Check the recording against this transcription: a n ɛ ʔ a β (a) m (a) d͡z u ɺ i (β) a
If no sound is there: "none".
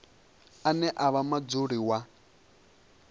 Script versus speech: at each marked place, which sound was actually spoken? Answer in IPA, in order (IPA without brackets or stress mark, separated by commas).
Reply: a, a, w